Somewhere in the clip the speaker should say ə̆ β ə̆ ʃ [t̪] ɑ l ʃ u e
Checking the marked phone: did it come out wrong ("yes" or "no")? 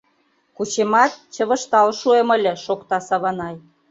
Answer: no